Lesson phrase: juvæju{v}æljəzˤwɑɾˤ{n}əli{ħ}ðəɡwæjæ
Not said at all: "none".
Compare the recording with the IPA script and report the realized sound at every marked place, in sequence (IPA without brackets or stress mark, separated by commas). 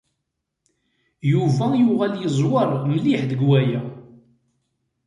ʁ, m, ħ